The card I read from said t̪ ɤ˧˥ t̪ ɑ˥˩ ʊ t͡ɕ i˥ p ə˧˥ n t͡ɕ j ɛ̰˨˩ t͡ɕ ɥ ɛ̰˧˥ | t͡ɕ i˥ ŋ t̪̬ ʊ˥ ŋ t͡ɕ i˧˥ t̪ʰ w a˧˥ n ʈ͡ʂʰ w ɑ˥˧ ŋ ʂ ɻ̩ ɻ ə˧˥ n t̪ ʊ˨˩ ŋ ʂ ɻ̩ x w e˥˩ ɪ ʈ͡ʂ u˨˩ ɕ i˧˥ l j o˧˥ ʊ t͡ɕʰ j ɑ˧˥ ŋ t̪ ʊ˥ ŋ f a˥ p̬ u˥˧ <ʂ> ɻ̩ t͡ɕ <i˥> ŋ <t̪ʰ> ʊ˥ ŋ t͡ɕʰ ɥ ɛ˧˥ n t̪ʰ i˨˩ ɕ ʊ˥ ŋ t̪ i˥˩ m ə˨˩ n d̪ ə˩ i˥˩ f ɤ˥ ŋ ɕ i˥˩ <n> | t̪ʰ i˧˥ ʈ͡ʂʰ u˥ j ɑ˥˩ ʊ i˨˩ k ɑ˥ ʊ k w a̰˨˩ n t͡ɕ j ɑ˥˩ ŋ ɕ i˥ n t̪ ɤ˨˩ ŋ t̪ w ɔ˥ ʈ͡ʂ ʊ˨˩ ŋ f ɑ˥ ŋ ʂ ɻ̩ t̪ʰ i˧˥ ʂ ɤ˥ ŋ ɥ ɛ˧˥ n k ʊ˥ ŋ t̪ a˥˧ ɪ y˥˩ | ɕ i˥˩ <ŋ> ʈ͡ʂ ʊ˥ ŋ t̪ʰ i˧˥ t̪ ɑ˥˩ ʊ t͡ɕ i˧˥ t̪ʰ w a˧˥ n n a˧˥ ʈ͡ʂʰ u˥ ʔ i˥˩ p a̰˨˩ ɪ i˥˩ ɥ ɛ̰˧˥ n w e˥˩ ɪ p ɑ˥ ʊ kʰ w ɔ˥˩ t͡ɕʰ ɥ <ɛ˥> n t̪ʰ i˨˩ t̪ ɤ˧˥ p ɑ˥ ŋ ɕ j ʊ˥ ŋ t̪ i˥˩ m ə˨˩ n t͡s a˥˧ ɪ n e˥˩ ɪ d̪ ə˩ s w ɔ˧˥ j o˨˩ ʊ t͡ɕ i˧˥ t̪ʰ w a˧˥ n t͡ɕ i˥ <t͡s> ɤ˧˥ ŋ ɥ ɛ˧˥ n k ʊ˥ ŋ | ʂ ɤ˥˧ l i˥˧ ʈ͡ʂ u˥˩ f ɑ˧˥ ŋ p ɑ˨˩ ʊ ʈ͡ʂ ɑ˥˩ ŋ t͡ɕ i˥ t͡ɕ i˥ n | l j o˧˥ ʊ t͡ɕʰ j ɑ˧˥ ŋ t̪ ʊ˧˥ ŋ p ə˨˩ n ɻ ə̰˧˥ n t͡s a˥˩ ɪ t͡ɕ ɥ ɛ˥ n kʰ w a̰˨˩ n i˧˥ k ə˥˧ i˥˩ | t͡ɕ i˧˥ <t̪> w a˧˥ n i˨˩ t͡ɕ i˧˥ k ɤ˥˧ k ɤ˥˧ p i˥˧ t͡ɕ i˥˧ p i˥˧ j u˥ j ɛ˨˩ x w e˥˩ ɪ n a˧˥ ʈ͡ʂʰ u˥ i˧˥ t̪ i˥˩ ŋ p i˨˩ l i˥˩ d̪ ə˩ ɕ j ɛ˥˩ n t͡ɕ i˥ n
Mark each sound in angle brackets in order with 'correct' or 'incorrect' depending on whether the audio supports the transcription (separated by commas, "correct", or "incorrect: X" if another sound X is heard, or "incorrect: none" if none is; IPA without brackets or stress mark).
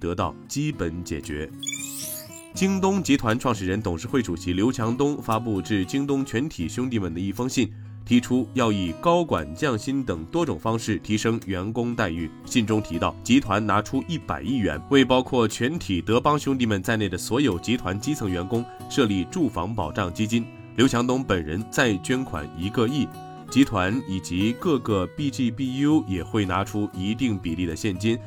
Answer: incorrect: ʈ͡ʂ, correct, incorrect: t̪, correct, incorrect: n, incorrect: ɛ˧˥, incorrect: t͡sʰ, incorrect: t̪ʰ